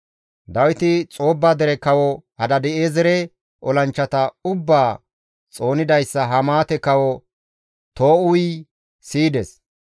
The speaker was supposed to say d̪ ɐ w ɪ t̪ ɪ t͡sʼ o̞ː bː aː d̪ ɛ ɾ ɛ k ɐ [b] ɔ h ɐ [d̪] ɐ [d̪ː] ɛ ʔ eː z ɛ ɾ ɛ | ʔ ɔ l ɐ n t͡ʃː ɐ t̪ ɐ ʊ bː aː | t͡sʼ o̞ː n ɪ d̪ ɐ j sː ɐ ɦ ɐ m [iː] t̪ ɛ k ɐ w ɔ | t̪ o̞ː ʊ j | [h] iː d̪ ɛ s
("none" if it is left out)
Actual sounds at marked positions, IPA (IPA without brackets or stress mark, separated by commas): w, d̪, d̪, aː, s